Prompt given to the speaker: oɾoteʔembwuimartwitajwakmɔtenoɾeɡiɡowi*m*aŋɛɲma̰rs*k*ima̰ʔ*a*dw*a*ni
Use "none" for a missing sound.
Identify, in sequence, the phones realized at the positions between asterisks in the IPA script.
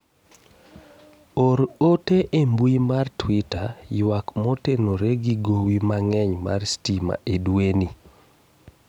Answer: m, t, e, e

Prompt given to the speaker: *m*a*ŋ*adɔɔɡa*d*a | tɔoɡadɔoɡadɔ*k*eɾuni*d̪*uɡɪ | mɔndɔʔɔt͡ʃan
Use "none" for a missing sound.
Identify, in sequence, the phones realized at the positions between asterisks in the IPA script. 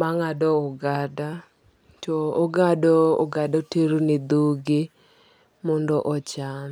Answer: m, ŋ, d, t, d̪

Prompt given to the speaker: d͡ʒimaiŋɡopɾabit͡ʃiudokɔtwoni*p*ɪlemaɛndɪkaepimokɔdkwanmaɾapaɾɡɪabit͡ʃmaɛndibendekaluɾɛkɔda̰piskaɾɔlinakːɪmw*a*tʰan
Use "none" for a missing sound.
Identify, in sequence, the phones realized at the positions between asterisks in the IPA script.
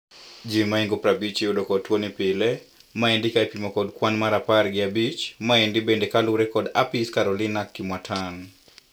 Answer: p, a

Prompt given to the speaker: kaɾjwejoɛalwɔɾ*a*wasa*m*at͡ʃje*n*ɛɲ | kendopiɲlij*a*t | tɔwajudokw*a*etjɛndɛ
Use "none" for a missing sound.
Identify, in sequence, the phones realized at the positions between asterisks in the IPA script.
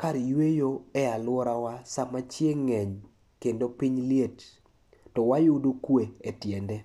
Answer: a, m, ŋ, e, e

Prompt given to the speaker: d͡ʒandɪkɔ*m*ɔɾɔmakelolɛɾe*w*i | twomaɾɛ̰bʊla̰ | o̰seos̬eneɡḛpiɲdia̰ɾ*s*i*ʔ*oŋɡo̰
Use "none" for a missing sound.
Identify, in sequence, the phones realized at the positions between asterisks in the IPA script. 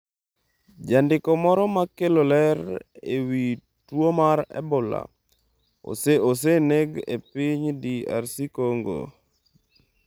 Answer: m, w, s, k

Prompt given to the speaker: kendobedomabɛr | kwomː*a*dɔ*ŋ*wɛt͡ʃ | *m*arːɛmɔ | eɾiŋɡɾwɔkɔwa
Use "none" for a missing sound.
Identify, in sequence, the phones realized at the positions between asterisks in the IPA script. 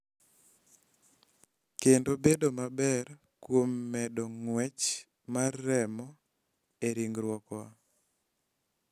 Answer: ɛ, ŋ, m

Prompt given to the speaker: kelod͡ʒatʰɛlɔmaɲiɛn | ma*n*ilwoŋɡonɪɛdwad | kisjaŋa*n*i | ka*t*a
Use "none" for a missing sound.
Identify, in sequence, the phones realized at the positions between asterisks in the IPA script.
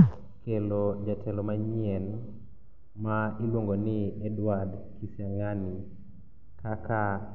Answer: none, n, k

